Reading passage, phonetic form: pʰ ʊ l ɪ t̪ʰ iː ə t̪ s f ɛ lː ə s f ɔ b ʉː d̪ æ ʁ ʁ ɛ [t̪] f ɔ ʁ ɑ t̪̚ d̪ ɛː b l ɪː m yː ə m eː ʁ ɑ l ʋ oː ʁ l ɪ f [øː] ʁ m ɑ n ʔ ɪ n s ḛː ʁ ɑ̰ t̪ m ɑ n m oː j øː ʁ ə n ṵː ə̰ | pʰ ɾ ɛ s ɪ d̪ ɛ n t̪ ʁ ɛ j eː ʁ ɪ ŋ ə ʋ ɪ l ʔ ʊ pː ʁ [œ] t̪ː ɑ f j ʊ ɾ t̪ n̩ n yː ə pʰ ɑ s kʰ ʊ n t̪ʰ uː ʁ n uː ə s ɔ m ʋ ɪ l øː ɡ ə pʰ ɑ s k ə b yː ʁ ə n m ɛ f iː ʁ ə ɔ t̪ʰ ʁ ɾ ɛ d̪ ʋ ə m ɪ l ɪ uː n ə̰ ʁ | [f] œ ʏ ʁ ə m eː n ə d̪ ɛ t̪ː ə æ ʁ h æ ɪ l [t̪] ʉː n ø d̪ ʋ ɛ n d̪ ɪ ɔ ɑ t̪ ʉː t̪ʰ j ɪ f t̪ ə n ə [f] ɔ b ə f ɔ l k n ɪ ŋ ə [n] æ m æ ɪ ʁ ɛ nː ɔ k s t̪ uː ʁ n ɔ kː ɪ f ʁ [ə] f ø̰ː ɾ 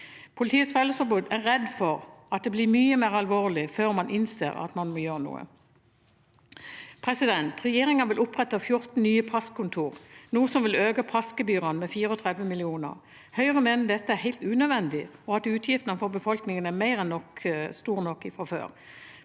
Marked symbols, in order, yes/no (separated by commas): no, yes, no, no, yes, yes, yes, no